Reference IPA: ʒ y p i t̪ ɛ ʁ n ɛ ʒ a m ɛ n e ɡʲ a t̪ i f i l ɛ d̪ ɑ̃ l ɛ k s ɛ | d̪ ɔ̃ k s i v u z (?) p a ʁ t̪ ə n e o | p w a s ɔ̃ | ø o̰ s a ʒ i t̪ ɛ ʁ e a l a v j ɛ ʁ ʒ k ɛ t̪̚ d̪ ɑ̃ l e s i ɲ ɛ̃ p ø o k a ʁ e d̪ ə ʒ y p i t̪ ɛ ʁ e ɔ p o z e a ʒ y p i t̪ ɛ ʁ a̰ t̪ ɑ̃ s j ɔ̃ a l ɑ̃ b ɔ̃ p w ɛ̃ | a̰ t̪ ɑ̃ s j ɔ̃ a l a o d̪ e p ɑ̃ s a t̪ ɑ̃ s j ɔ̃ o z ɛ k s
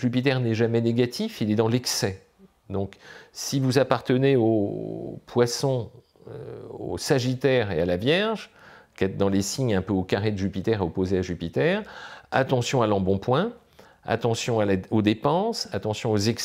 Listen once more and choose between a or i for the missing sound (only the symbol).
a